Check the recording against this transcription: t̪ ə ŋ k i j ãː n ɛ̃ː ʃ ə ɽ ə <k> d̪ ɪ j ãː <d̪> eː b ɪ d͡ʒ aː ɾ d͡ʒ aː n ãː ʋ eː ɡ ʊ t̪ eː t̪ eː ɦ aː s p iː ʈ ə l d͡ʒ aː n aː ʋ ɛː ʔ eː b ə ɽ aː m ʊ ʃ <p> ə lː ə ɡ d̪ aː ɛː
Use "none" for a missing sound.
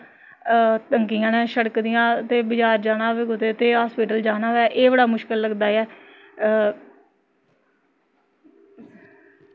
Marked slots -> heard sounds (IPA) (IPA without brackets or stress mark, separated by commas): k, t̪, k